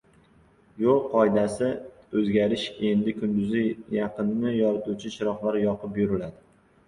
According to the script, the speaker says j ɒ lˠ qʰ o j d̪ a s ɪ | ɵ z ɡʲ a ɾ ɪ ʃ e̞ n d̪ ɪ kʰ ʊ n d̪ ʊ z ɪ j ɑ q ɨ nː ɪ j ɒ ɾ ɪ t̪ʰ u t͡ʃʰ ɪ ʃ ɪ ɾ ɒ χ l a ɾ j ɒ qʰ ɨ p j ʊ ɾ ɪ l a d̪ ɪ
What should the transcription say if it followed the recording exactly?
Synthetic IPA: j o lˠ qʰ ɒ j d̪ a s ɪ | ɵ z ɡʲ a ɾ ɪ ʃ e̞ n d̪ ɪ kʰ ʊ n d̪ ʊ z ɪ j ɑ q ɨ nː ɪ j ɒ ɾ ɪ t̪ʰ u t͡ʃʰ ɪ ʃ ɪ ɾ ɒ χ l a ɾ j ɒ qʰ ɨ p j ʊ ɾ ɪ l a d̪ ɪ